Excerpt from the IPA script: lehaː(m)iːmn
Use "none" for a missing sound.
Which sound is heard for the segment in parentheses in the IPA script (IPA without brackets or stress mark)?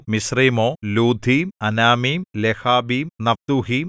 b